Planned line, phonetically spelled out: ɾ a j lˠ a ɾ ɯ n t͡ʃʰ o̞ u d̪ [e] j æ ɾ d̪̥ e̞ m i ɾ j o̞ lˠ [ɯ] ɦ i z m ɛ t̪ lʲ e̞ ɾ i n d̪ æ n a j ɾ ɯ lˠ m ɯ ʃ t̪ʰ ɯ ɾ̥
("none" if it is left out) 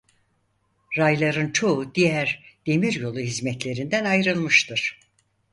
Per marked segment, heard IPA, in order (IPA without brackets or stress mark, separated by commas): i, u